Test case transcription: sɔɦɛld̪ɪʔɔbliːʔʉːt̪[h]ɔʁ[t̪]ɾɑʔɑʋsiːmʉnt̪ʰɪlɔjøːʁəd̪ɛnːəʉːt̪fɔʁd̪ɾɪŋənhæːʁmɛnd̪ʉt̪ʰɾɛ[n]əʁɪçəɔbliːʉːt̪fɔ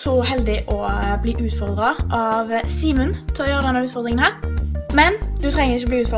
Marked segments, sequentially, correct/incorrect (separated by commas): incorrect, incorrect, incorrect